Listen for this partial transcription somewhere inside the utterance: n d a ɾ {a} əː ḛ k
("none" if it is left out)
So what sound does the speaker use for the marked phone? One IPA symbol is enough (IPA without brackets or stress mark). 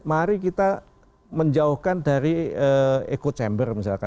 i